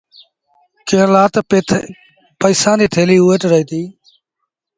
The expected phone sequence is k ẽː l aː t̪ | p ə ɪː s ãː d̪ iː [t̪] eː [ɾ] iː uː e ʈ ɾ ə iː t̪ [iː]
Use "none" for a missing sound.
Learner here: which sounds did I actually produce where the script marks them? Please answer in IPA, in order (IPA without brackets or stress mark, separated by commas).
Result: t̪ʰ, l, iː